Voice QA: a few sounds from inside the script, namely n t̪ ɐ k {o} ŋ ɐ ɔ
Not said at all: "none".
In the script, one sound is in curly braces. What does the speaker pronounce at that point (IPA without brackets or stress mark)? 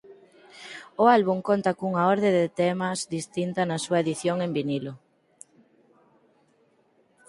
u